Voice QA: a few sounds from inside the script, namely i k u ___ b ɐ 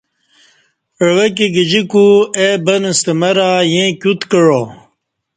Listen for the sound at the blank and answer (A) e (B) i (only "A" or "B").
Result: A